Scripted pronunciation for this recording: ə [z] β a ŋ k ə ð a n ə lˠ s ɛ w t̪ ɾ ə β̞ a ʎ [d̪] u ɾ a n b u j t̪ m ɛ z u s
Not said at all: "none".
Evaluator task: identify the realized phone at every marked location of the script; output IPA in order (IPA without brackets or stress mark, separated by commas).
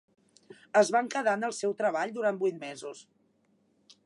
z, d̪